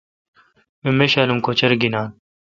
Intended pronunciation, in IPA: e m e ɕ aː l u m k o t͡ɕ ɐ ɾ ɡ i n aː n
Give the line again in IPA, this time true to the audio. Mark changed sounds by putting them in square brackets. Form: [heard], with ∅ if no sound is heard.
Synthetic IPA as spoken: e m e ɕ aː l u m k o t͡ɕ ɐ ɾ ɡ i n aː n